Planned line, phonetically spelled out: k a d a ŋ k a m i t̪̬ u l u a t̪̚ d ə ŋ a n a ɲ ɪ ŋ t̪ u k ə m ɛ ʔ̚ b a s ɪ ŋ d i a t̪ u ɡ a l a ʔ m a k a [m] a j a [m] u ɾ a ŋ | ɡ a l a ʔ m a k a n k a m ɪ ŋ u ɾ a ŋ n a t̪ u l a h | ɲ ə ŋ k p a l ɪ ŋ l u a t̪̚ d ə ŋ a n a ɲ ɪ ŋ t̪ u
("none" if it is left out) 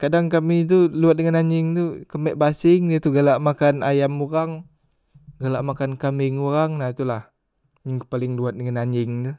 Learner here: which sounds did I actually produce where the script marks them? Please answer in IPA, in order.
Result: n, m

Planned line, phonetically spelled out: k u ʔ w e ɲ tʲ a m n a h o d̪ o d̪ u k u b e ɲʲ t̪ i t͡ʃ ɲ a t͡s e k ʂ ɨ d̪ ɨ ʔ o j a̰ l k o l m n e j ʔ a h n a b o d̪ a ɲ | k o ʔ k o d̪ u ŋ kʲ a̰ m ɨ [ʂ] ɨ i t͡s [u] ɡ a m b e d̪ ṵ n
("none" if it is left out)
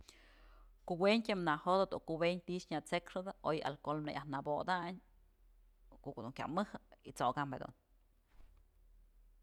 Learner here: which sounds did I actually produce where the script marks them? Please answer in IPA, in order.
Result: h, o

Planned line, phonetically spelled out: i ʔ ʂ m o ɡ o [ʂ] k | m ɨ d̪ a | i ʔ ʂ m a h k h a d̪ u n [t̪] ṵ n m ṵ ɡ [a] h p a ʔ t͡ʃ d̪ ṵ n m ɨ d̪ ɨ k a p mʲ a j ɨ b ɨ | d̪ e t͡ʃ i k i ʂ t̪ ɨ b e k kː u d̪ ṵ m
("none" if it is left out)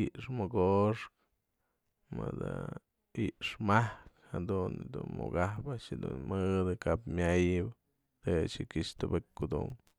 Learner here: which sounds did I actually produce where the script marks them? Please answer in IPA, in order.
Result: ʂ, d̪, a

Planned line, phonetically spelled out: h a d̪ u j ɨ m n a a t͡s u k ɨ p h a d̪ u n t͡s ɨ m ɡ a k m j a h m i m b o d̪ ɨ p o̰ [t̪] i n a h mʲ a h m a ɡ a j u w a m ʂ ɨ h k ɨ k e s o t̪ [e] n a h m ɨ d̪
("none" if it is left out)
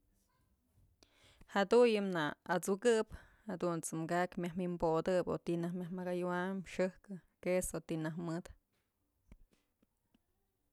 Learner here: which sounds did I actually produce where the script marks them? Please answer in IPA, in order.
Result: t̪, i

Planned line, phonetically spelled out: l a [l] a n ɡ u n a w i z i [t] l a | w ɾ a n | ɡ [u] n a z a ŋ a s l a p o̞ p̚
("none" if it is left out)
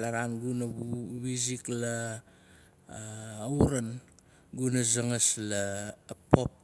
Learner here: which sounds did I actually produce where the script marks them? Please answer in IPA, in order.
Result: ɾ, k, u

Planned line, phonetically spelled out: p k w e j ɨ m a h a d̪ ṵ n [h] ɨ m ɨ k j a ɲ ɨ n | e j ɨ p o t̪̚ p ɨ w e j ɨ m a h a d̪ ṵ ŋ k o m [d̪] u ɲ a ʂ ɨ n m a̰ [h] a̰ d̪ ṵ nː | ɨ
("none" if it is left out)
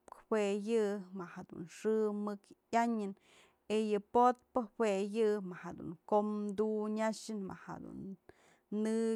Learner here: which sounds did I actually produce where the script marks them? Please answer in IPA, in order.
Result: ʂ, d̪, h

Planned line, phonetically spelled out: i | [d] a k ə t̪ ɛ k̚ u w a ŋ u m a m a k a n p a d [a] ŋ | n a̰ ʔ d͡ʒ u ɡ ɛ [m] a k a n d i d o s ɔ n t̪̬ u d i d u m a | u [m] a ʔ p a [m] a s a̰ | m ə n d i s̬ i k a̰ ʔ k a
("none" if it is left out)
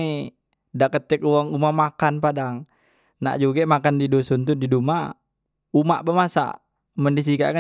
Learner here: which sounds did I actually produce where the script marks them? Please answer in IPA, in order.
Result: d, a, m, m, m

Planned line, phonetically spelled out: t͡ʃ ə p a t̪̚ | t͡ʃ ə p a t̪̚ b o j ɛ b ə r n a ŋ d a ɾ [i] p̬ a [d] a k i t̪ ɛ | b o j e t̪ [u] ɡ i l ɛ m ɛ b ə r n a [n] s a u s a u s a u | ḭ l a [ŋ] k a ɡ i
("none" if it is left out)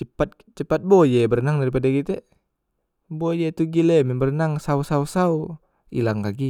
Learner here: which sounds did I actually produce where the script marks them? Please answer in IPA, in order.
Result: i, d, u, ŋ, ŋ

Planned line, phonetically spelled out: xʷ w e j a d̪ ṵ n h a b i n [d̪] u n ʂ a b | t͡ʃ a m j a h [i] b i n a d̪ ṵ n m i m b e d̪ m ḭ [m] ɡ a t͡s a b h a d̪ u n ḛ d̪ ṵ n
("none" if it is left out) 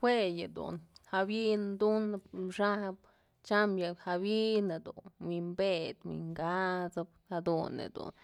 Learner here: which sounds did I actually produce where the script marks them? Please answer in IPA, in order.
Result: d̪, a, ŋ

